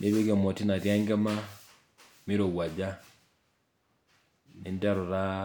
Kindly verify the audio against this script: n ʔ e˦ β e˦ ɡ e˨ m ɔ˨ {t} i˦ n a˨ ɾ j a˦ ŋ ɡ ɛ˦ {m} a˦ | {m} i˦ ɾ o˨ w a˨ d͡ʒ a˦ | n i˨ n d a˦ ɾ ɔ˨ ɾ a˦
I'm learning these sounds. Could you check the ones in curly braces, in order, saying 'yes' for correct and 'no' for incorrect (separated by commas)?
yes, yes, yes